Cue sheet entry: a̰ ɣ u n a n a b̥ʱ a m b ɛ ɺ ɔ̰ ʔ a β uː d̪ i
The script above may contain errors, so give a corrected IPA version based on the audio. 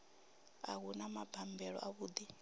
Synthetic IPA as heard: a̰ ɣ u n a m a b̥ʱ a m b ɛ ɺ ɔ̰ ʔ a β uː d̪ i